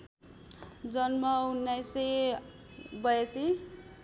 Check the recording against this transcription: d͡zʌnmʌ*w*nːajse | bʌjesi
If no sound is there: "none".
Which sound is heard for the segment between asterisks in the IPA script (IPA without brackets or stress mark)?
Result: u